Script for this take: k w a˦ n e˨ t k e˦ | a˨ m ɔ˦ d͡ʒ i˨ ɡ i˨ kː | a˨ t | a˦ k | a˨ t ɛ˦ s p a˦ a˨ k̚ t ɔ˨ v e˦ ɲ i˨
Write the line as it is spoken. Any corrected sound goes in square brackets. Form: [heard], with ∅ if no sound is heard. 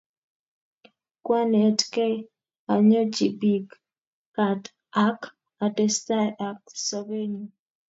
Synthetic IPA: k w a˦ n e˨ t k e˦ | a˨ [ɲ] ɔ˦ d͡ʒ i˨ [b] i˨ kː | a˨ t | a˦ k | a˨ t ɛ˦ s [t] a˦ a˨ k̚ [s] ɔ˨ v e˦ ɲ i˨

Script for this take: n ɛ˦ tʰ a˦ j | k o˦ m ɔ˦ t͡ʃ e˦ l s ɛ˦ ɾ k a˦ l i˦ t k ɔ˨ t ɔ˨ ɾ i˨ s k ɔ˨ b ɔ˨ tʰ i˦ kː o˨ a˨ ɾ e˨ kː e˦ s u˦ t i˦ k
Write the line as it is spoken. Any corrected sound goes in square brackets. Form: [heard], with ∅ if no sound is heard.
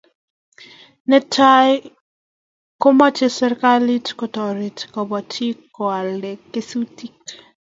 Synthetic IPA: n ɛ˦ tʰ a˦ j | k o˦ m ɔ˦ t͡ʃ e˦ [∅] s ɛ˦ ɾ k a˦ l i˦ t k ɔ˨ t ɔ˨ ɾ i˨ [t] k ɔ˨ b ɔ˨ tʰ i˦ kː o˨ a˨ [l] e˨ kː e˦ s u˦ t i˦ k

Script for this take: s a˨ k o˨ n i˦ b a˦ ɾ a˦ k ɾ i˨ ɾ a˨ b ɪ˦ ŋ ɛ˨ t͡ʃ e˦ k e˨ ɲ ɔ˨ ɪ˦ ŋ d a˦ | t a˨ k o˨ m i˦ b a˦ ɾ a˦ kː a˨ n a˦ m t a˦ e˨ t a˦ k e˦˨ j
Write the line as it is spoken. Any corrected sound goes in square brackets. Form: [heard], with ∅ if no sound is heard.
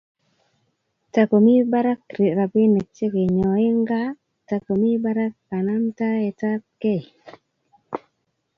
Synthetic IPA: [t] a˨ k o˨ [m] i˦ b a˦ ɾ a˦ k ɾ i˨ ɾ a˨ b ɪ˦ [n] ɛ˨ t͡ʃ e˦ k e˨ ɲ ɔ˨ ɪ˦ ŋ [ɡ] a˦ | t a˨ k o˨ m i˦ b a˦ ɾ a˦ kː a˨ n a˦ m t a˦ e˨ t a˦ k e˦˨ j

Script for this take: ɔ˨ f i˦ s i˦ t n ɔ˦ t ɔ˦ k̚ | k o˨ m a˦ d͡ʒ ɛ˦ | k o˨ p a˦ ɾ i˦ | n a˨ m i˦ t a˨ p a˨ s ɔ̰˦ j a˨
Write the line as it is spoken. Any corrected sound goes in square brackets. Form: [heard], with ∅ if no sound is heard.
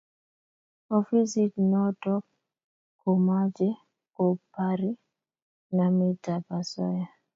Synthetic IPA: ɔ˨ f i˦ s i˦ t n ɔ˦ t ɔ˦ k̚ | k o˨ m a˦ d͡ʒ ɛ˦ | k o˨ p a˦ ɾ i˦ | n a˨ m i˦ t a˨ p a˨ s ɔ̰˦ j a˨

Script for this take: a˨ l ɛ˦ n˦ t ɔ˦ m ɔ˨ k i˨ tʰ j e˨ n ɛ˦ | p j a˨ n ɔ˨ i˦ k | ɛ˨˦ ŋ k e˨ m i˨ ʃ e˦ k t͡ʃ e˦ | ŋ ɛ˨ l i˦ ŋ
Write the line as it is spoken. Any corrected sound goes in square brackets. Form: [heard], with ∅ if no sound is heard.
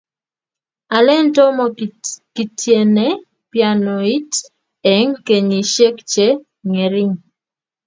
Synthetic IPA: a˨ l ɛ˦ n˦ t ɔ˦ m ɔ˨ k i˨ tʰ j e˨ n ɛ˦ | p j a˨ n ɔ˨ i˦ [t] | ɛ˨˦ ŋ k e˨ [ɲ] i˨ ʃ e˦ k t͡ʃ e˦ | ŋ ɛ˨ [ɾ] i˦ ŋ

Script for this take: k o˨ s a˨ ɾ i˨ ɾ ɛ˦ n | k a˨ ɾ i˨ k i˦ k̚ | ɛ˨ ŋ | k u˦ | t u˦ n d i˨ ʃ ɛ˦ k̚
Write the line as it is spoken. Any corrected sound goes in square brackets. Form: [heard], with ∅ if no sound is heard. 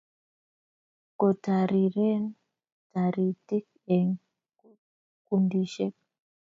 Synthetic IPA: k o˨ [t] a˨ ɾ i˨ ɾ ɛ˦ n | [t] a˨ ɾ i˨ [t] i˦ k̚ | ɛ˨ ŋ | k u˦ | [k] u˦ n d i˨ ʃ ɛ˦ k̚

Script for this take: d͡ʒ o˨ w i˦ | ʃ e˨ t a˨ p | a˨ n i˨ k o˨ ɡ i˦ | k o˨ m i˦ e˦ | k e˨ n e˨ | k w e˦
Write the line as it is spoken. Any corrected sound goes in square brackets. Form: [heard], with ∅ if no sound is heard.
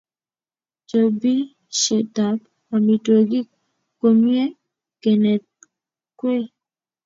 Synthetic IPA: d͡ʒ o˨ [b] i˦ | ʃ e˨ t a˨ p | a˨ [m] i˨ [t] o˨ ɡ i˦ | k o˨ m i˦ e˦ | k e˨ n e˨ | k w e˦

